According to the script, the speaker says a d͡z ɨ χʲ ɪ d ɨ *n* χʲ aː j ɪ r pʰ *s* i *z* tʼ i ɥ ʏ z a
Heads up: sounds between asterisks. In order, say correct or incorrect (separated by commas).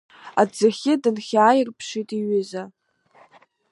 correct, incorrect, incorrect